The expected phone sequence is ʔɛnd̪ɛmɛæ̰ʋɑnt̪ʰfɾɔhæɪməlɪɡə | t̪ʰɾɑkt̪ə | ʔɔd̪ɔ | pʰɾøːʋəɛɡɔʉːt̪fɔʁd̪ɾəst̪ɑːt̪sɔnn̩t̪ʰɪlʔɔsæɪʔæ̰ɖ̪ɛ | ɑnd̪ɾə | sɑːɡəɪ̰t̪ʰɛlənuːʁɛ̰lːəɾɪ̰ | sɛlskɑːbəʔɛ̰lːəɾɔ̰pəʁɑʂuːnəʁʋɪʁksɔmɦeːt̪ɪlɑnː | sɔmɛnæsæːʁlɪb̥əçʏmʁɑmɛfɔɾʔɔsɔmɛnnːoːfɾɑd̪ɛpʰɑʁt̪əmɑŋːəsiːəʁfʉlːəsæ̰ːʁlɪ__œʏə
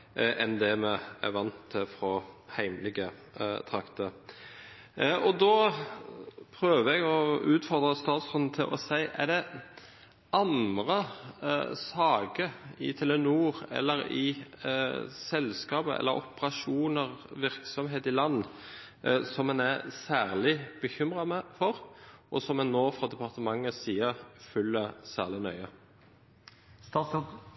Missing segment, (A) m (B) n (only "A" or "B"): B